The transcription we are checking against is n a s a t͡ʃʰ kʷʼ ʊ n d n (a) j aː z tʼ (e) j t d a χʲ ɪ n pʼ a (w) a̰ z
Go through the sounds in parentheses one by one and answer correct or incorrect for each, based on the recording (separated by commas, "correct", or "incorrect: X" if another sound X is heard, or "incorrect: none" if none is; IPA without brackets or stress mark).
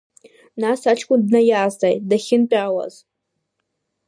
correct, incorrect: a, correct